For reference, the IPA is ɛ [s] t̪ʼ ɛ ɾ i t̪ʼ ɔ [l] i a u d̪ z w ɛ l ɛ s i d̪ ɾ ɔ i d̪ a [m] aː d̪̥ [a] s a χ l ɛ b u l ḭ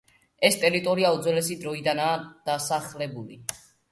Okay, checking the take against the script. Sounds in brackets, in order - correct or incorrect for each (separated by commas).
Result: correct, incorrect, incorrect, correct